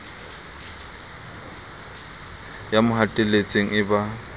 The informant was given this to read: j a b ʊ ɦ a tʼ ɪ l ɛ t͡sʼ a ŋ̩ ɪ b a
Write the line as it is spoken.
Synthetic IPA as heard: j a m ʊ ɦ a tʼ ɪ l e t͡sʼ e ŋ̩ ɪ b a